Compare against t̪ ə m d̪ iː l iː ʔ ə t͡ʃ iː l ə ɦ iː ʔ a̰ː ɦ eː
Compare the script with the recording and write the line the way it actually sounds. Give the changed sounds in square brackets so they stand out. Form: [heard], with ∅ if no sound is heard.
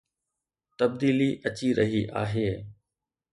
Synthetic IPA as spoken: t̪ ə [b] d̪ iː l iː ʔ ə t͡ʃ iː [ɾ] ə ɦ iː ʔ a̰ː ɦ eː